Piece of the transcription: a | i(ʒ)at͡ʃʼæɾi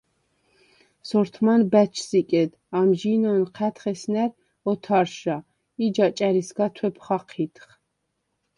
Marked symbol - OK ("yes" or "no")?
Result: no